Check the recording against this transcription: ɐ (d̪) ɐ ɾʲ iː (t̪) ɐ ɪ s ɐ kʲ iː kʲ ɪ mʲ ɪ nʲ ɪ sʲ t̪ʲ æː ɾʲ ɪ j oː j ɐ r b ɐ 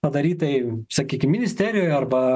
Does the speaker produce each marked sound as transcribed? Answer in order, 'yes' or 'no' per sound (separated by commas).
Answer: yes, yes